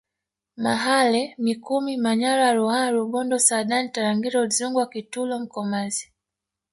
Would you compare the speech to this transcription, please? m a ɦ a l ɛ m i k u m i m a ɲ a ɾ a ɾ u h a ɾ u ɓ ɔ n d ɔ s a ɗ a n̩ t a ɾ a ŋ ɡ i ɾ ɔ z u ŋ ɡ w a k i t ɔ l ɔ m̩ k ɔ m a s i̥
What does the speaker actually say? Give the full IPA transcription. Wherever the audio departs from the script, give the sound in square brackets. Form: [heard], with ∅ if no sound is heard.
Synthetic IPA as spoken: m a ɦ a l ɛ m i k u m i m a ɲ a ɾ a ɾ u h a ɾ u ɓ ɔ n d ɔ s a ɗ a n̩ t a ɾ a ŋ ɡ i ɾ ɔ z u ŋ ɡ w a k i t [u] l ɔ m̩ k ɔ m a [z] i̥